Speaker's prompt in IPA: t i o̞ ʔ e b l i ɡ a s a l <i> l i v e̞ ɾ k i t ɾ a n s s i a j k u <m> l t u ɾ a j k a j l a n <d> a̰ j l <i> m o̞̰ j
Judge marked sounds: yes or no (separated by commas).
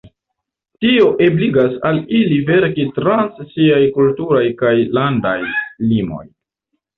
yes, no, yes, yes